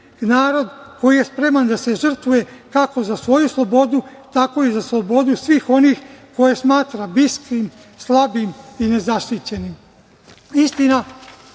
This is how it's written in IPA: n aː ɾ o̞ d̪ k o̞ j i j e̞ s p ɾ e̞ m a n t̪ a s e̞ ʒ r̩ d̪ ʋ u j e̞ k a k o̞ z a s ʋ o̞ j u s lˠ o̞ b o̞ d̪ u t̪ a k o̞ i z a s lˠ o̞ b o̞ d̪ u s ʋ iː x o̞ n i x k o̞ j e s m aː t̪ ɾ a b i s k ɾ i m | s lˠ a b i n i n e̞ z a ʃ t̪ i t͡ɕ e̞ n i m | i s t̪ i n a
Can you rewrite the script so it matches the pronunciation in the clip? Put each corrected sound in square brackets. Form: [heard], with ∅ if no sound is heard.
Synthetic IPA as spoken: n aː ɾ o̞ d̪ k o̞ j i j e̞ s p ɾ e̞ m a n [d̪] a s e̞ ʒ r̩ [t̪] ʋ u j e̞ k a k o̞ z a s ʋ o̞ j u s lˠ o̞ b o̞ d̪ u t̪ a k o̞ i z a s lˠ o̞ b o̞ d̪ u s ʋ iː x o̞ n i x k o̞ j e s m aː t̪ ɾ a b i s k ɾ i m | s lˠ a b i [m] i n e̞ z a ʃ t̪ i t͡ɕ e̞ n i m | i s t̪ i n a